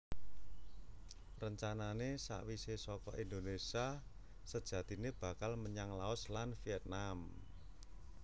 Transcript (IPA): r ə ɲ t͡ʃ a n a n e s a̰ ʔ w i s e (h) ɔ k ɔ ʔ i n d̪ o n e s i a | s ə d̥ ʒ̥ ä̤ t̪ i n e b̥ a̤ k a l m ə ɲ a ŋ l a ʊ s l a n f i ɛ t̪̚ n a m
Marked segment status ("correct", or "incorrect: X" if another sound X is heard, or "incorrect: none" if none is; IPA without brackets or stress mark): incorrect: s